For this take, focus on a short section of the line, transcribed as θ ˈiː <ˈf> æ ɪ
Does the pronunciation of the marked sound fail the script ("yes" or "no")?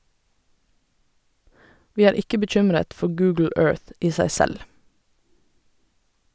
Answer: yes